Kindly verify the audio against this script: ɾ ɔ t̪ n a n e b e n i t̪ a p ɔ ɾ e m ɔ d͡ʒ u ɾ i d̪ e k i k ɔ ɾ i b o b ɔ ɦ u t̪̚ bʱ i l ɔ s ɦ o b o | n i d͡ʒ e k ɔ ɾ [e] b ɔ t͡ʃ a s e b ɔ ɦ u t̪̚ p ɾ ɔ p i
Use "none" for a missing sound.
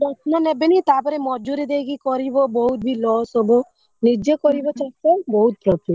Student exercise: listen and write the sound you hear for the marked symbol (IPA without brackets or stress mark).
i